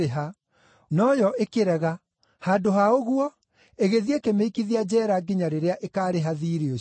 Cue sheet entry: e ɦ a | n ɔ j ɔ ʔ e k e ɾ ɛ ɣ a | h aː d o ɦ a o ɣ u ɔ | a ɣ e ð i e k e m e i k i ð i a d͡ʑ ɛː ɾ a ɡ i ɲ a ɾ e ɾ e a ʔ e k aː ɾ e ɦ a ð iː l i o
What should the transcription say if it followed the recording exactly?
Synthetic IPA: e ɦ a | n ɔ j ɔ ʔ e k e ɾ ɛ ɣ a | h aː d o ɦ a o ɣ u ɔ | e ɣ e ð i e k e m e i k i ð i a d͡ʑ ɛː ɾ a ɡ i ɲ a ɾ e ɾ e a ʔ e k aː ɾ e ɦ a ð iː ɾ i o